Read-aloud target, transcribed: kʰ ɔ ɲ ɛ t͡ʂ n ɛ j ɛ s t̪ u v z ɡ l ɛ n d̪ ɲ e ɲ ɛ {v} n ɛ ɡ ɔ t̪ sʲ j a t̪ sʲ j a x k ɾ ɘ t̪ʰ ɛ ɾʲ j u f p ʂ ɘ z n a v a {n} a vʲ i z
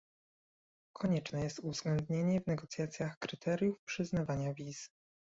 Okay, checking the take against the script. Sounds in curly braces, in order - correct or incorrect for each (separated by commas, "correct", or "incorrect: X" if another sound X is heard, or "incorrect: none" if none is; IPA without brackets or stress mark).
correct, incorrect: ɲ